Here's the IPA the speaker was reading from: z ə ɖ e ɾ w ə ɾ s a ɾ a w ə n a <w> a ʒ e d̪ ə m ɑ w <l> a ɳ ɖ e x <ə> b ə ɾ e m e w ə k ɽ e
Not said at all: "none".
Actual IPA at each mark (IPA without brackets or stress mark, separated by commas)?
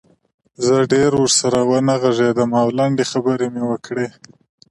ɣ, l, a